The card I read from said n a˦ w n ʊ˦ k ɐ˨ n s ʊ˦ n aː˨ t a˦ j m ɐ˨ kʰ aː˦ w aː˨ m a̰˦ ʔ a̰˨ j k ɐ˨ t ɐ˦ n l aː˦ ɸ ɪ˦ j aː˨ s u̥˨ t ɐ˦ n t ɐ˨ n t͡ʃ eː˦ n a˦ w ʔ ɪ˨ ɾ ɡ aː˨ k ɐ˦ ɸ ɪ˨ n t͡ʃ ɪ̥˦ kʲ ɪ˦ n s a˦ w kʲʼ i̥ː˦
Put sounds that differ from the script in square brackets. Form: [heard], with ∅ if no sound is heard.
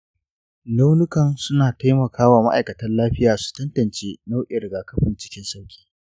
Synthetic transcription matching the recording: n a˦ w n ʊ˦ k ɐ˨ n s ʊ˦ n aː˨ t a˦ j m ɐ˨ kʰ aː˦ w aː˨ m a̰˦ ʔ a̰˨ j k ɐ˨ t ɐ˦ n l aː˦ ɸ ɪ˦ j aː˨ s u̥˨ t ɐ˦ n t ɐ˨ n t͡ʃ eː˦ n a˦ w ʔ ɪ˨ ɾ ɡ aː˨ k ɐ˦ ɸ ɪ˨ n t͡ʃ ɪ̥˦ kʲ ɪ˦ n s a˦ w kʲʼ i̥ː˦